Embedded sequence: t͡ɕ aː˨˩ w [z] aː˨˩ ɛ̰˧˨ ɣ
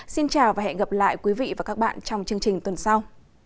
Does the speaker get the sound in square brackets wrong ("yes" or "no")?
yes